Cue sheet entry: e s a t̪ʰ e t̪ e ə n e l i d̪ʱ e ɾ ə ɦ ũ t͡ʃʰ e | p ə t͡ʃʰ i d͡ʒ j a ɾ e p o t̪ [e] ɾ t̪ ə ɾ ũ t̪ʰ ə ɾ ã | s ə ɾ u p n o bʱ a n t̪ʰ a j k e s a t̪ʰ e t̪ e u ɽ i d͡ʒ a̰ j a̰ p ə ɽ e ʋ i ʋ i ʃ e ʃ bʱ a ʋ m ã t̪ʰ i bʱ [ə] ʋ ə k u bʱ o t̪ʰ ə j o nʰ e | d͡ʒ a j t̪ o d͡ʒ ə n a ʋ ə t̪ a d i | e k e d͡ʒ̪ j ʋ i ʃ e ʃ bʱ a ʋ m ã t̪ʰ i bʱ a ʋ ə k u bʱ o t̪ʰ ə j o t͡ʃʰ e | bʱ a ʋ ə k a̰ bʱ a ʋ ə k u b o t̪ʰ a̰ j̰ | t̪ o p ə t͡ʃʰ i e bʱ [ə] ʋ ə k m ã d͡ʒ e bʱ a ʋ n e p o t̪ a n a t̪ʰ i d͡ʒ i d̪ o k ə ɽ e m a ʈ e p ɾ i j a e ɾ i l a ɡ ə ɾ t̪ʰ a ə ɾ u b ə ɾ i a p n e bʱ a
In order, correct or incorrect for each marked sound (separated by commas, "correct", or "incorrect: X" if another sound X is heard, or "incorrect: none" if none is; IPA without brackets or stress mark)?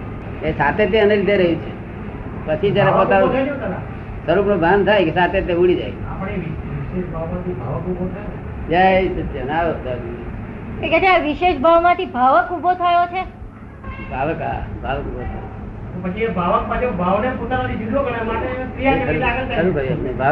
incorrect: a, incorrect: a, incorrect: a